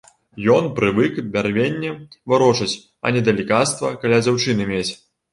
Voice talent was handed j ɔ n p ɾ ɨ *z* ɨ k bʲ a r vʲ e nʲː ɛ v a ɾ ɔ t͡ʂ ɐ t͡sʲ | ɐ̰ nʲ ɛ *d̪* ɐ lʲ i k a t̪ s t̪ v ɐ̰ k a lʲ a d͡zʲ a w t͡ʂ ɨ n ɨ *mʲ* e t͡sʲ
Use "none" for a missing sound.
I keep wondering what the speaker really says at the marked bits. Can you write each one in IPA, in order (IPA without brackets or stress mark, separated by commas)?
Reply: v, d̪, mʲ